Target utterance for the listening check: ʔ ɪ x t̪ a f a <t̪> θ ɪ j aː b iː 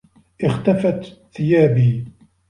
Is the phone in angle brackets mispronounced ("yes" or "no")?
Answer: no